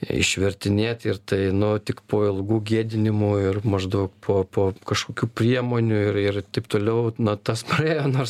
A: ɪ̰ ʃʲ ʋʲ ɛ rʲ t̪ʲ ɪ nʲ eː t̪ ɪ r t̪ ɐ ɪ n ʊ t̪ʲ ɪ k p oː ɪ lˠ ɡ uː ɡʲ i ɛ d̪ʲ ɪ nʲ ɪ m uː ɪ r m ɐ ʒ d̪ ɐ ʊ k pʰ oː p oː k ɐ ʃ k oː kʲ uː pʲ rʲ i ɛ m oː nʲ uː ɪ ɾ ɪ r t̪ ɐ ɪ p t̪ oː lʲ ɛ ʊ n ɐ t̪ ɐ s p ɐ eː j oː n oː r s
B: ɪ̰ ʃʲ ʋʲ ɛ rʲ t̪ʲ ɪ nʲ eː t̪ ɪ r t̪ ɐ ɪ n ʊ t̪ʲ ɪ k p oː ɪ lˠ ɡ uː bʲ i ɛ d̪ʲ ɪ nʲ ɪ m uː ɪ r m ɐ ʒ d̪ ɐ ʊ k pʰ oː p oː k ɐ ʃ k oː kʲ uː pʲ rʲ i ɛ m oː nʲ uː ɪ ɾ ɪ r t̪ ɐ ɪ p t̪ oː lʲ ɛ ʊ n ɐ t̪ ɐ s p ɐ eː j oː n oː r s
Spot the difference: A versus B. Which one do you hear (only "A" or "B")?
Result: A